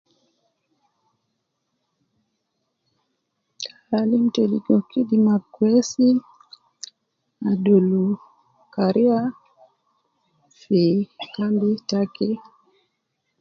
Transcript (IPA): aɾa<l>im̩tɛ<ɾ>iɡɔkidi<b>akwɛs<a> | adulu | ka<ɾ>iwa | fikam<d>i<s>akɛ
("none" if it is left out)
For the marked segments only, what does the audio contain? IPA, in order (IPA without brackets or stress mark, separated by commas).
l, l, m, i, ɾ, b, t